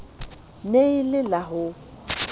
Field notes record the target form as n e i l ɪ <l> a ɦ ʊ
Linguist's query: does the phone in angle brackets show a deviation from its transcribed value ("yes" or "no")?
no